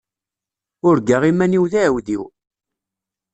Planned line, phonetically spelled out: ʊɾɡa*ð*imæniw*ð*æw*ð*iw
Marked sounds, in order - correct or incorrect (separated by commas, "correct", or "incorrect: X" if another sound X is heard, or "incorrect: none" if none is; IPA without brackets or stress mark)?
incorrect: ʁ, correct, correct